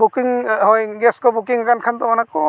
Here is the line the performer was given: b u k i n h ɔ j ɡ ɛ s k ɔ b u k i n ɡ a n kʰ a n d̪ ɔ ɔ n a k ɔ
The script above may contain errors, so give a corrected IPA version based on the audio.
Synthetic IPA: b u k i ŋ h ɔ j ɡ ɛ s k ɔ b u k i ŋ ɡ a n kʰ a n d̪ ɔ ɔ n a k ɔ